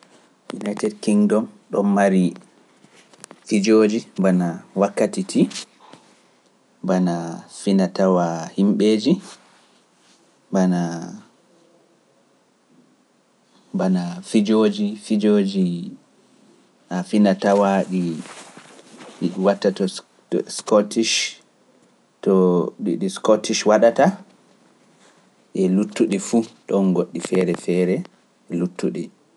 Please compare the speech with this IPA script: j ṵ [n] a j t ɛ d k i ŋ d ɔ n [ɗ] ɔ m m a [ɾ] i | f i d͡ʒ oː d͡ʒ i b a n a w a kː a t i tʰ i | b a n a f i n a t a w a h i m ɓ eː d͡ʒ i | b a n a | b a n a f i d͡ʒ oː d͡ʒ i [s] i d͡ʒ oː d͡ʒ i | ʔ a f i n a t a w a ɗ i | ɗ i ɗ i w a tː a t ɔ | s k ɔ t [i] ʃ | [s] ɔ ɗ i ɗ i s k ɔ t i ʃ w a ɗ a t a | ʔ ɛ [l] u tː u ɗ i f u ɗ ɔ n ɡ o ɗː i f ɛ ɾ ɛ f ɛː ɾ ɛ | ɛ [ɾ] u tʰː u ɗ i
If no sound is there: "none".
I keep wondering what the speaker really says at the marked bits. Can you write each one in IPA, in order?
n, ɗ, ɾ, f, i, t, l, l

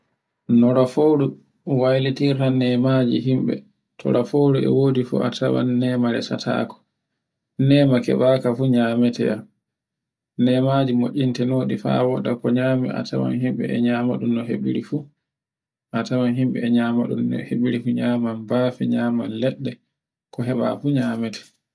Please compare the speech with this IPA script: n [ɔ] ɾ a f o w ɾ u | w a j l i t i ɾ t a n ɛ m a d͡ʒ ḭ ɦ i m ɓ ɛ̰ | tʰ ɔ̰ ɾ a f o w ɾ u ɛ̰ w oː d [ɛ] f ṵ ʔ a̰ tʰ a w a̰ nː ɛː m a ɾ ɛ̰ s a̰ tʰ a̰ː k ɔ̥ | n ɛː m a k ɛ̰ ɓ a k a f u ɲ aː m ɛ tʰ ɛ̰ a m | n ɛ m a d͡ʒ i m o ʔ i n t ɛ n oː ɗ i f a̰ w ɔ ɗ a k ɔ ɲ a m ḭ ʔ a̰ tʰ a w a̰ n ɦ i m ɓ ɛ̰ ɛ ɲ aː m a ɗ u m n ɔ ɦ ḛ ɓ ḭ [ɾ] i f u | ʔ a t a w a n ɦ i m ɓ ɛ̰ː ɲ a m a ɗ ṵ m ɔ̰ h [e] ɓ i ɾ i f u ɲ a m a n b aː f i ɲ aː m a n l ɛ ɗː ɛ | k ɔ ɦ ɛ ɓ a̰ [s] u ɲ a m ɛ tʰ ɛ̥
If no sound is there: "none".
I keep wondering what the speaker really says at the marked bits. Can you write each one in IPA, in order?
ɔ, i, ɾ, e, f

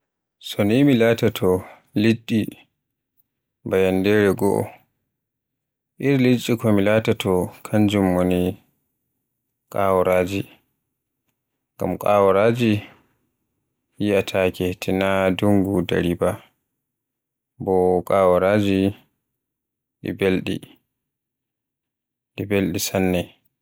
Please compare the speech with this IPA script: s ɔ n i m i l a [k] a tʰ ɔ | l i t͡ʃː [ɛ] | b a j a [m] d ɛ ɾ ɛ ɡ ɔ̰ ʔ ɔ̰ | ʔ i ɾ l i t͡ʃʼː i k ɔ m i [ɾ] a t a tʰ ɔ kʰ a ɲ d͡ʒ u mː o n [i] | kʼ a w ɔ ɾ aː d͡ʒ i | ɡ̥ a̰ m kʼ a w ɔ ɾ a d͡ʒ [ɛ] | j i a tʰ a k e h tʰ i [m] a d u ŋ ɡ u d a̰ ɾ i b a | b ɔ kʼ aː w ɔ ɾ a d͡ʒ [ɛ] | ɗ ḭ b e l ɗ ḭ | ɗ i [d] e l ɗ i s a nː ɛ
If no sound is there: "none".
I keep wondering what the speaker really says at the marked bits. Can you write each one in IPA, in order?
t, i, n, l, i, i, n, i, b

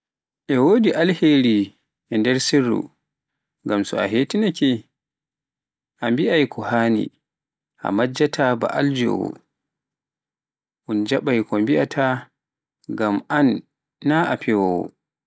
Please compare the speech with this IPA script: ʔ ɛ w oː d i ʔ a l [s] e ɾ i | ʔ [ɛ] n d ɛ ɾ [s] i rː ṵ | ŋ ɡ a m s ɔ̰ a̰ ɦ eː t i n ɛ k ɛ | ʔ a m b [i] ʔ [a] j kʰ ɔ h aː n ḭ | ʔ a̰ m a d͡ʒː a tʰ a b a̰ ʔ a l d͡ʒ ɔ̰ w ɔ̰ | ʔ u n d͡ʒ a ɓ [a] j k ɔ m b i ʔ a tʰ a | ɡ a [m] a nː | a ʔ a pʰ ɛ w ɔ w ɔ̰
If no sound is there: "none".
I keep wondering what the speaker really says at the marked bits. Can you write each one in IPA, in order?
h, ɛ, s, i, a, a, m

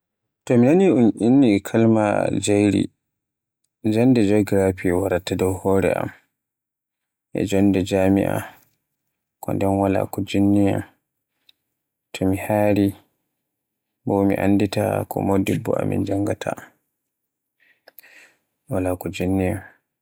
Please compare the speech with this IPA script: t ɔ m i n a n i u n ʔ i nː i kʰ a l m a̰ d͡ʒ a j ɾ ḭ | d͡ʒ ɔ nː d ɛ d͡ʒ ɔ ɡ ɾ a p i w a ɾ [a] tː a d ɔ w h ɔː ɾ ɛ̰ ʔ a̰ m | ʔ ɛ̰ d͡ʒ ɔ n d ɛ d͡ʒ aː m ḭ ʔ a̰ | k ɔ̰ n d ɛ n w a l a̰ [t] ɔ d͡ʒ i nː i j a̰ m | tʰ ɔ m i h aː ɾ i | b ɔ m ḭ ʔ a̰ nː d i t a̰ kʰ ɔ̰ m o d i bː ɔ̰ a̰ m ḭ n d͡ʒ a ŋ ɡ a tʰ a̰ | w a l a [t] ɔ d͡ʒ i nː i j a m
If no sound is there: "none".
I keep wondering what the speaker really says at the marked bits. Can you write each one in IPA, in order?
a, k, k

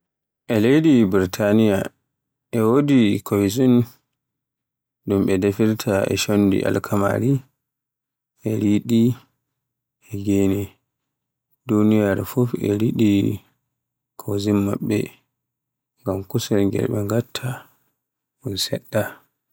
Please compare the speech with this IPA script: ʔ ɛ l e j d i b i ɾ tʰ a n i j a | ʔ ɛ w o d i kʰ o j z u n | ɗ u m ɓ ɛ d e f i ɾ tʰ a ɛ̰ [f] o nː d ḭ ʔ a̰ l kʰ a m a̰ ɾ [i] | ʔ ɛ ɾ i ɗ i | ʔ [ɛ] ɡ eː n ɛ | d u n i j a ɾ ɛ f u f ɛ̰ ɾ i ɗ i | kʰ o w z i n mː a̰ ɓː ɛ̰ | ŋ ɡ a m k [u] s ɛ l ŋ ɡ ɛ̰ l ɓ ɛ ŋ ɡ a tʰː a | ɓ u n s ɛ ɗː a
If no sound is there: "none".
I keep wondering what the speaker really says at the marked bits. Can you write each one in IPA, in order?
ʃ, i, ɛ, u

